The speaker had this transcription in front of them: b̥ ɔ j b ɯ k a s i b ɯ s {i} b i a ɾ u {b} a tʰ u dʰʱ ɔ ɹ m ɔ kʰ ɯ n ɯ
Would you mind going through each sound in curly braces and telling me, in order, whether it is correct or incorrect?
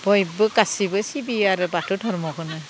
correct, correct

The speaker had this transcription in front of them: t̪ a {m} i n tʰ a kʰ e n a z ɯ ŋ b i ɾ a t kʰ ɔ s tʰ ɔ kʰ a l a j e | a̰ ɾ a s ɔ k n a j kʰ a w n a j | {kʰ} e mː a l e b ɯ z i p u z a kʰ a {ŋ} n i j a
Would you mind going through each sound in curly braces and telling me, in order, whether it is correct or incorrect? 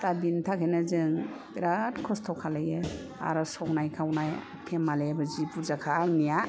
incorrect: b, incorrect: pʰ, correct

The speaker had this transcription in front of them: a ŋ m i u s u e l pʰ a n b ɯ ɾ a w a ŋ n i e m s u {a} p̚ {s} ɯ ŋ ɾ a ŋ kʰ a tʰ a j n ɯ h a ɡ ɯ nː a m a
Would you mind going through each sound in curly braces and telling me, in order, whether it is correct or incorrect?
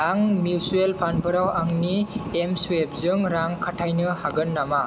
incorrect: e, incorrect: z

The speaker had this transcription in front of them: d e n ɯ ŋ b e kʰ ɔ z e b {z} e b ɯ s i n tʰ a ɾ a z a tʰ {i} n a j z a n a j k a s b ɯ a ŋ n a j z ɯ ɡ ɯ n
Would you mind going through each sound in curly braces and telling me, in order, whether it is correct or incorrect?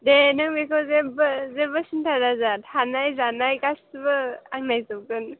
correct, incorrect: a

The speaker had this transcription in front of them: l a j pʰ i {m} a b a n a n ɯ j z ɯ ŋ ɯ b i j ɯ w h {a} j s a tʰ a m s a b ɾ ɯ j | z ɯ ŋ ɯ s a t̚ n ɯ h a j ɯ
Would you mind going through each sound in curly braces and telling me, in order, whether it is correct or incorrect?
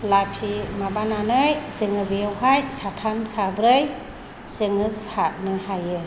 correct, correct

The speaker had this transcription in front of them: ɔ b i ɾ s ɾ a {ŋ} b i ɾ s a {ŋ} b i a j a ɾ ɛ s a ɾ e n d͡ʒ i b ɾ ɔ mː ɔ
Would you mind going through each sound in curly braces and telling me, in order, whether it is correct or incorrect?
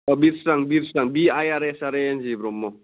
correct, correct

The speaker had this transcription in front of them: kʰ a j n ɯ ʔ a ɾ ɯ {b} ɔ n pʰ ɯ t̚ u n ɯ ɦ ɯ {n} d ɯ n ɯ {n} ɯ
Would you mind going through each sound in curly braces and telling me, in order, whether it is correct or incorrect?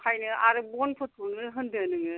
correct, correct, incorrect: ŋ

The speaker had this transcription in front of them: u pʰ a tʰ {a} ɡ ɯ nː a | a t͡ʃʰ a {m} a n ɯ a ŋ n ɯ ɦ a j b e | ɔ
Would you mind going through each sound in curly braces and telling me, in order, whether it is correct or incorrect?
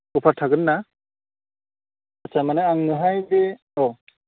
correct, correct

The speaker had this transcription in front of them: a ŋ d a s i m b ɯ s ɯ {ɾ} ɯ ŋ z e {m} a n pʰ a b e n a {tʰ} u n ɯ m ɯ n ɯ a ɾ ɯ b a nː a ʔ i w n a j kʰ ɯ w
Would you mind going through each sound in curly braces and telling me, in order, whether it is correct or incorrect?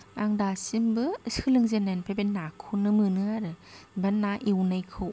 incorrect: l, incorrect: n, incorrect: kʰ

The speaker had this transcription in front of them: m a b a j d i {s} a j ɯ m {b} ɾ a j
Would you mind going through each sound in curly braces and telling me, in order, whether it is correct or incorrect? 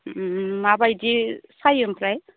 correct, incorrect: p

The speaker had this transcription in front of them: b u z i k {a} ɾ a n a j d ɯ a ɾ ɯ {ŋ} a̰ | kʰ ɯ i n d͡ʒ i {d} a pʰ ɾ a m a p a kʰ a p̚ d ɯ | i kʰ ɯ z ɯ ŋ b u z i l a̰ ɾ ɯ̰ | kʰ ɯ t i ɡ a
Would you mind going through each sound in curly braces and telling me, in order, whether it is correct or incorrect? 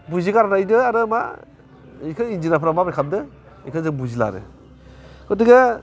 correct, incorrect: m, incorrect: n

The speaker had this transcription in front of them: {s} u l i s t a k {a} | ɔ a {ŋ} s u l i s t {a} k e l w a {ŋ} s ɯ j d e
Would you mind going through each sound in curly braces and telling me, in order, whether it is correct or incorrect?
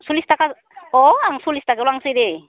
correct, correct, correct, correct, correct

